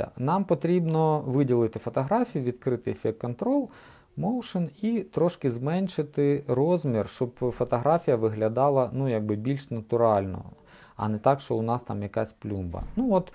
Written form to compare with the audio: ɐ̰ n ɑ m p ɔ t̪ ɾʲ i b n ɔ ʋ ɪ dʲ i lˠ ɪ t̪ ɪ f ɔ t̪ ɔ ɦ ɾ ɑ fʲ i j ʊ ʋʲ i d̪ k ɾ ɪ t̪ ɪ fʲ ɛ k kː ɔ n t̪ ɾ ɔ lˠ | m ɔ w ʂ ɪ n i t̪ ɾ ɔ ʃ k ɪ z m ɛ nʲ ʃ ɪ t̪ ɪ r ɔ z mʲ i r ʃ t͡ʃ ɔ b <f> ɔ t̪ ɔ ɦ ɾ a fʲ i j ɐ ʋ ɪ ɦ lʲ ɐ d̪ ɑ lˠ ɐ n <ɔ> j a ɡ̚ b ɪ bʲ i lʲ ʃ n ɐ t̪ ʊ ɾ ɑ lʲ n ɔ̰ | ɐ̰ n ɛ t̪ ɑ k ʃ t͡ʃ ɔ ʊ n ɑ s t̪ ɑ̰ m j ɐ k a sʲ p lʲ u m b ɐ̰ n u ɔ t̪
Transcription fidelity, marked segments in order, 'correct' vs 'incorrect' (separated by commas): correct, incorrect